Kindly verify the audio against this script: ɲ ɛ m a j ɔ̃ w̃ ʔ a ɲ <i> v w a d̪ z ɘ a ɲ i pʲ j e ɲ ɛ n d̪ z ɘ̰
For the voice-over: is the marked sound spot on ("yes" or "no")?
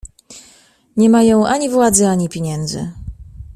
yes